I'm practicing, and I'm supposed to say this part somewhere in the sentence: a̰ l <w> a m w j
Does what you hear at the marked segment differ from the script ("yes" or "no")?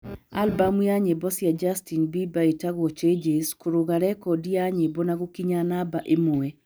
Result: yes